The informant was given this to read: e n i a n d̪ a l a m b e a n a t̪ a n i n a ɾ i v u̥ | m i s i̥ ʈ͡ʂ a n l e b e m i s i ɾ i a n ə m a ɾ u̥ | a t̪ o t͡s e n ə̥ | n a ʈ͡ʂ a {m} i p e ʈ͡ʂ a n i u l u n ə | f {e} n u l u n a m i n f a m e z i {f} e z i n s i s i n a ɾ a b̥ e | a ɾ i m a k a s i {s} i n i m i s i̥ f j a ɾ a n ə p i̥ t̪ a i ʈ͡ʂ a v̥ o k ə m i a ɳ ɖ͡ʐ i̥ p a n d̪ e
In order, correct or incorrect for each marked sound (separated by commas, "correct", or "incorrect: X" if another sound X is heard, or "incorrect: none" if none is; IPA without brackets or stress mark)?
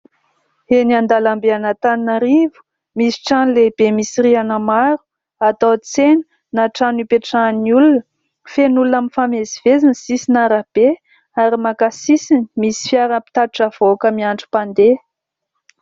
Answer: incorrect: n, correct, incorrect: v, correct